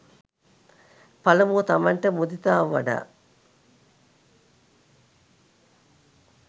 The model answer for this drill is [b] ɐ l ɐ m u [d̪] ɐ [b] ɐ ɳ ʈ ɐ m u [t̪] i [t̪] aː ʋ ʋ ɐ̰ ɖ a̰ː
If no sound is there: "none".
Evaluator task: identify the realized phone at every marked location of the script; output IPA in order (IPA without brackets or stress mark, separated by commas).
p, t̪, m, d̪, t̪